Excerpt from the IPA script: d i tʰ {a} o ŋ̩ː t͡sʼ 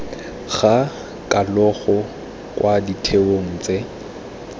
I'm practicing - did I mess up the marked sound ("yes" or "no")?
yes